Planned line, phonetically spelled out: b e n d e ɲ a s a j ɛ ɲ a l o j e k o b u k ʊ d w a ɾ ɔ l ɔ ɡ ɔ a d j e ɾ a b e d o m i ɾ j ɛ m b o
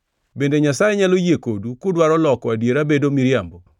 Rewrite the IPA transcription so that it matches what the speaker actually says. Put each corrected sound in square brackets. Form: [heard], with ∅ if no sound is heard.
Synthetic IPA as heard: b e n d e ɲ a s a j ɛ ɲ a l o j e k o [d] u k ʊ d w a ɾ ɔ l ɔ [k] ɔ a d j e ɾ a b e d o m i ɾ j [a] m b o